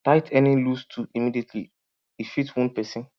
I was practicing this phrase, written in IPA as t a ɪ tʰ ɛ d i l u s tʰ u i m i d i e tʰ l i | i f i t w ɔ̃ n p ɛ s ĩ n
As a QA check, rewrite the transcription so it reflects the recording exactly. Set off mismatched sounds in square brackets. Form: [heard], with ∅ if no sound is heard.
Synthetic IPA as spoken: t a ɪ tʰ ɛ [n] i l u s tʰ u i m i d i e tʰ l i | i f i t w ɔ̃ n p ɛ s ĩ n